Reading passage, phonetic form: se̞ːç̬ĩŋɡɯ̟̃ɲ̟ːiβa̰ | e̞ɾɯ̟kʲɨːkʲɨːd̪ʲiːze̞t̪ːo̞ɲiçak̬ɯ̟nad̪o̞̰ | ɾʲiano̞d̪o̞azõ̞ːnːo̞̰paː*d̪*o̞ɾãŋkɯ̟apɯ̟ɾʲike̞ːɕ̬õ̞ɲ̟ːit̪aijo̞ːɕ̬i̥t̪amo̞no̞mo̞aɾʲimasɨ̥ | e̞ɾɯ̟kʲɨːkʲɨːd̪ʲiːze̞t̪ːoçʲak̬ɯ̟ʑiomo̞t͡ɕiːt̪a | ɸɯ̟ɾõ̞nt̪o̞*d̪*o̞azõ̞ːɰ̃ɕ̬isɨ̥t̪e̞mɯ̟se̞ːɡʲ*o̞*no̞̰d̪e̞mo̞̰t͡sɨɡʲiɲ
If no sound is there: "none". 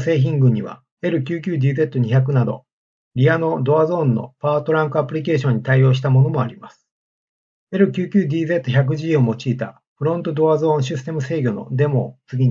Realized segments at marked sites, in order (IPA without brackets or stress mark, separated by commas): t̪, d̪, o̞